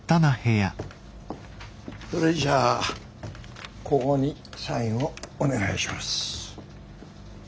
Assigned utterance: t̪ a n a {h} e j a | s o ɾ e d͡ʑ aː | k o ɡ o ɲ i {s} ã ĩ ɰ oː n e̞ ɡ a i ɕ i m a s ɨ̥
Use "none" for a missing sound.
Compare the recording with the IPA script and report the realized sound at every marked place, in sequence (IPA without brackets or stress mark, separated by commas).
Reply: h, s